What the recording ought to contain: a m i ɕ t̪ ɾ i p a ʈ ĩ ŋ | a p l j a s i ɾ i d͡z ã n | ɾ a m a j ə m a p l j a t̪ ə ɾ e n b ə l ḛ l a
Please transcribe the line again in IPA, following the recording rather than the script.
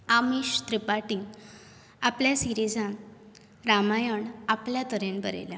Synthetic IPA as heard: a m i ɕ t̪ ɾ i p a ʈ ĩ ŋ | a p l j a s i ɾ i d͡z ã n | ɾ a m a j ə ɳ a p l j a t̪ ə ɾ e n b ə ɾ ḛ l a